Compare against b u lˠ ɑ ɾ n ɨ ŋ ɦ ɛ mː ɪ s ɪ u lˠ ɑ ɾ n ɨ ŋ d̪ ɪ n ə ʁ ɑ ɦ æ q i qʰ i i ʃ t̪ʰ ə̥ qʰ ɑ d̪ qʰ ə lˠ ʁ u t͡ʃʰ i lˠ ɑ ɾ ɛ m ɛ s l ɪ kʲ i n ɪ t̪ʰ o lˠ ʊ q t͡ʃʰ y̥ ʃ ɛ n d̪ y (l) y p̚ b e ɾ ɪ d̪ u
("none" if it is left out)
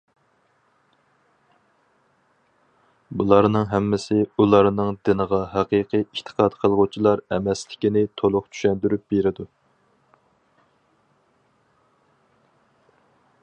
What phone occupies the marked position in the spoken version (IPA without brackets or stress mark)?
ɾ